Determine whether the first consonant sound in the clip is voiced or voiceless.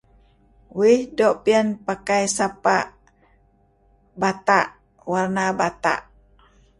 voiced